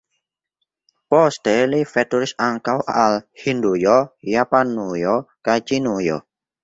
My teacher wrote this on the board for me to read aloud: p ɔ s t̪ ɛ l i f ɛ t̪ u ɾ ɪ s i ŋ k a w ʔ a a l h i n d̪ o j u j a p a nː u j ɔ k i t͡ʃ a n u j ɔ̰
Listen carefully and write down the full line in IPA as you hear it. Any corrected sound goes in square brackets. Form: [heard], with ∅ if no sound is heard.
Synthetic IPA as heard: p ɔ s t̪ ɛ l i f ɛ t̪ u ɾ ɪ s [a] ŋ k a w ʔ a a l h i n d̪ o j [ɔ] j a p a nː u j ɔ k [a] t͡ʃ [i] n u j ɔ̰

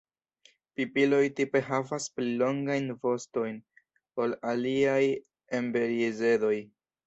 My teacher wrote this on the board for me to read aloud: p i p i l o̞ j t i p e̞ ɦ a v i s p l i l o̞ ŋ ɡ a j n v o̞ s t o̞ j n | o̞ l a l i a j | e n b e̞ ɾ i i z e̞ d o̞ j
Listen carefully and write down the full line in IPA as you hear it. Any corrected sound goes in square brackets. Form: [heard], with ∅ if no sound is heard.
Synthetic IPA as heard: p i p i l o̞ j t i p e̞ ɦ a v [a] s p l i l o̞ ŋ ɡ a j n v o̞ s t o̞ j n | o̞ l a l i a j | e [m] b e̞ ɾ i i z e̞ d o̞ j

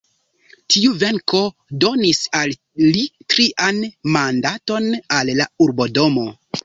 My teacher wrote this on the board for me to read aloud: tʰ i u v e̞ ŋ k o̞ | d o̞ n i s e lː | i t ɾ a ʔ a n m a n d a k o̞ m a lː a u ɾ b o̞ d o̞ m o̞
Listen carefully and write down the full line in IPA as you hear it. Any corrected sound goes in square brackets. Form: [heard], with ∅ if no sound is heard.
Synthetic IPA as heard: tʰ i u v e̞ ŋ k o̞ | d o̞ n i s [a] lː | i t ɾ [i] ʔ a n m a n d a [t] o̞ [n] a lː a u ɾ b o̞ d o̞ m o̞

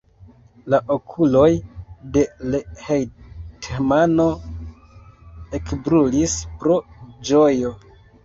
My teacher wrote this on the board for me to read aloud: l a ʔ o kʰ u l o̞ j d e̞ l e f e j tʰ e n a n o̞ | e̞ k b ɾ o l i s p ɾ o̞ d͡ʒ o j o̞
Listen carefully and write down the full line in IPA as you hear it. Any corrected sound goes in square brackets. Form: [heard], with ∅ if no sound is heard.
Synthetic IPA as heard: l a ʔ o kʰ u l o̞ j d e̞ l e [h] e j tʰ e [m] a n o̞ | e̞ k b ɾ [u] l i s p ɾ o̞ d͡ʒ o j o̞

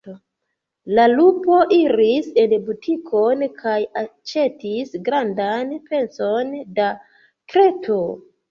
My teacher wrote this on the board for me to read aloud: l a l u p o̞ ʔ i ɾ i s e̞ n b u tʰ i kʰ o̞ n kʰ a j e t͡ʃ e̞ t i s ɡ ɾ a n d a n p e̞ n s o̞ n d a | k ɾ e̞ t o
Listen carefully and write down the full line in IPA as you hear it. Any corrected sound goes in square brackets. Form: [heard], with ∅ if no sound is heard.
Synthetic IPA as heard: l a l u p o̞ ʔ i ɾ i s e̞ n b u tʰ i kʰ o̞ n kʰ a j [a] t͡ʃ e̞ t i s ɡ ɾ a n d a n p e̞ n s o̞ n d a | k ɾ e̞ t o

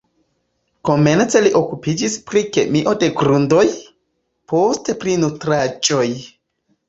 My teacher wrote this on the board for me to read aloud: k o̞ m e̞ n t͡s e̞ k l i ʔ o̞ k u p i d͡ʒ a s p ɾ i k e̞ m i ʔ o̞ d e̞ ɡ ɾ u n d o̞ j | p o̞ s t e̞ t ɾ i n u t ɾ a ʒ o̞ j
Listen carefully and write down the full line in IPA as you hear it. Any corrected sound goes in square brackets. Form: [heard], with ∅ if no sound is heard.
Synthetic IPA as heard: k o̞ m e̞ n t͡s e̞ [∅] l i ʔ o̞ k u p i d͡ʒ [i] s p ɾ i k e̞ m i ʔ o̞ d e̞ ɡ ɾ u n d o̞ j | p o̞ s t e̞ [p] ɾ i n u t ɾ a [d͡ʒ] o̞ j

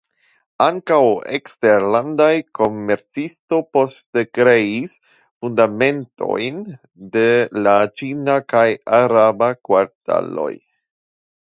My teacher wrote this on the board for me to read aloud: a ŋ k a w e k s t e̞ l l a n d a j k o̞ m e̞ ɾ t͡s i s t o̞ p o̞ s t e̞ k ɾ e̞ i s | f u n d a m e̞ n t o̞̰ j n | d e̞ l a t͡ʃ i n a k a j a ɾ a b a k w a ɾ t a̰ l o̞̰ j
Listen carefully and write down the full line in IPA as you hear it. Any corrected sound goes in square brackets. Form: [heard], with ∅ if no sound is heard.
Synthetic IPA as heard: a ŋ k a w e k s t e̞ [ɾ] l a n d a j k o̞ m e̞ ɾ t͡s i s t o̞ p o̞ s t e̞ k ɾ e̞ i s | f u n d a m e̞ n t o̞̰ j n | d e̞ l a t͡ʃ i n a k a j a ɾ a b a k w a ɾ t a̰ l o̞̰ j

